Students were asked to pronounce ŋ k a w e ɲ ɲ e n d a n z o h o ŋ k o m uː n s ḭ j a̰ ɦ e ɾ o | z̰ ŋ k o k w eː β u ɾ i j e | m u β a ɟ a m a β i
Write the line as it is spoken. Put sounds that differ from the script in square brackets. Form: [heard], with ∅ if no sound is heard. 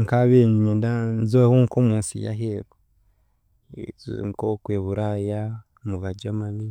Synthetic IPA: ŋ k a [β] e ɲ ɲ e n d a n z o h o ŋ k o m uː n s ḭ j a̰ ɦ e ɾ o | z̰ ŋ k o k w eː β u ɾ [a] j [a] | m u β a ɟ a m a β i